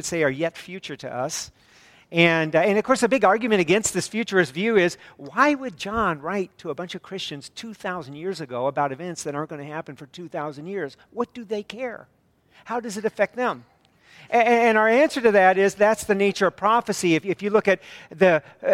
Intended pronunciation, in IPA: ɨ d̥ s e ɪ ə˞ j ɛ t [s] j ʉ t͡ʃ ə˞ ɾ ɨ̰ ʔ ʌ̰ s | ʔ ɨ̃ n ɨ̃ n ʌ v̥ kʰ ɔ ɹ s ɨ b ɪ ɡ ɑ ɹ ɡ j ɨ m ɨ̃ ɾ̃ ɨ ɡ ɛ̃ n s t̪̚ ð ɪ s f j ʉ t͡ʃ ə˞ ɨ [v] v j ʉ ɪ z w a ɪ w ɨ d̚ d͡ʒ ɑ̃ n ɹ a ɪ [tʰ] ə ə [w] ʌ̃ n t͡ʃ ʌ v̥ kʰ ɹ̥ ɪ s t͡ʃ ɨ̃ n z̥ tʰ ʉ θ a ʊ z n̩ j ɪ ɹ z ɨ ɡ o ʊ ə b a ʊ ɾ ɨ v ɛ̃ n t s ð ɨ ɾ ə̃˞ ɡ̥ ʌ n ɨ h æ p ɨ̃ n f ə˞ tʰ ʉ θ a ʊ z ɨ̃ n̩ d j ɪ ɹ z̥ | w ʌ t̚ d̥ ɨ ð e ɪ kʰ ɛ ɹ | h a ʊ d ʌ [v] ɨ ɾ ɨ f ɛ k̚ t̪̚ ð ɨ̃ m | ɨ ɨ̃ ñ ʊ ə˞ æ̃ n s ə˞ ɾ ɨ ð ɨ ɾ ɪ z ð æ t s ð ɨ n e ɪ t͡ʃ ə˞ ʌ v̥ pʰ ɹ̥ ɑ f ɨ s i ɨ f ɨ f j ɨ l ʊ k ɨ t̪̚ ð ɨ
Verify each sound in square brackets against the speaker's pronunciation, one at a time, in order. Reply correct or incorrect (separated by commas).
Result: incorrect, incorrect, correct, incorrect, incorrect